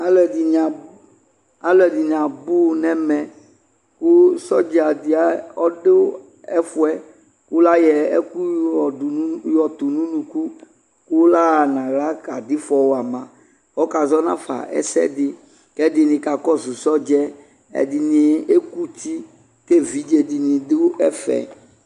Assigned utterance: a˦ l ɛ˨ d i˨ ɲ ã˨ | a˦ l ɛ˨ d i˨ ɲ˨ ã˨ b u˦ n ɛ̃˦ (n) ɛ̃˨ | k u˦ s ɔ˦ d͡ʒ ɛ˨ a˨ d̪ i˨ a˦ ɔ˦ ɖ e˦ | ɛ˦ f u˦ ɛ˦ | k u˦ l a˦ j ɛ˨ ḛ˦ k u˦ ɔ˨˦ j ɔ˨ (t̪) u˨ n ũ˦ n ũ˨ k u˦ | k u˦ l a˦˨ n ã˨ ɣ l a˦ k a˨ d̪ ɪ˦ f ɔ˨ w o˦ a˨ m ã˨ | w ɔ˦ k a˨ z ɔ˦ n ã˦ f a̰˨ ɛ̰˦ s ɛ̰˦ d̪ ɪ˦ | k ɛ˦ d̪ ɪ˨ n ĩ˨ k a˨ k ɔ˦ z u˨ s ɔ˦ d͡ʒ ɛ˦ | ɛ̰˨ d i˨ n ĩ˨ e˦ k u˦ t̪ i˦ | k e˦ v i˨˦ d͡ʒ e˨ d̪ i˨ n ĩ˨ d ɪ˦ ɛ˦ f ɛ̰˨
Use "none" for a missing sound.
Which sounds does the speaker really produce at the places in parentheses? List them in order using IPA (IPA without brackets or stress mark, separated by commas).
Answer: m, t̪